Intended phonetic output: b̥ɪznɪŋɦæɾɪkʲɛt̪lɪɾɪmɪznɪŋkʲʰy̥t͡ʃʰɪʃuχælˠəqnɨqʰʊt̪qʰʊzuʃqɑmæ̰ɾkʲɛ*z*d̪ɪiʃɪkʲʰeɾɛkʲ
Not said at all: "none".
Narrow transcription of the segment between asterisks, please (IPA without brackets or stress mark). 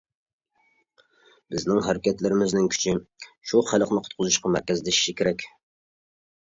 z